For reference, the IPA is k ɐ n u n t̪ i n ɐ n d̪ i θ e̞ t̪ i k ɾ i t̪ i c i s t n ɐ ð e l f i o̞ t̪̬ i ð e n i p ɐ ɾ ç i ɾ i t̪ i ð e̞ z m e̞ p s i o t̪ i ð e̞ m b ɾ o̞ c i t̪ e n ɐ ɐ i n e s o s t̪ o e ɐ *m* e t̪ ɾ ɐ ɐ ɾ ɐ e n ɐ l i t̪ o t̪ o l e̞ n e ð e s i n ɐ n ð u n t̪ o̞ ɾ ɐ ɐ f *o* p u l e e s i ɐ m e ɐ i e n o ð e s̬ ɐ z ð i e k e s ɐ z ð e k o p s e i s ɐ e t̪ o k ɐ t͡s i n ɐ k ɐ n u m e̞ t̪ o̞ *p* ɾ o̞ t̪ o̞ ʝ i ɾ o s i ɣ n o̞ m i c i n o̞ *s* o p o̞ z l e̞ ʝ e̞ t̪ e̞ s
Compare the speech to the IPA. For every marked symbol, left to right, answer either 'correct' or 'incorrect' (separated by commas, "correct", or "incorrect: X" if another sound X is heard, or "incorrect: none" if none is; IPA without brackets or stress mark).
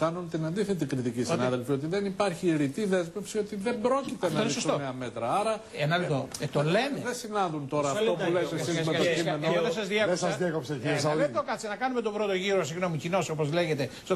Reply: correct, correct, incorrect: b, correct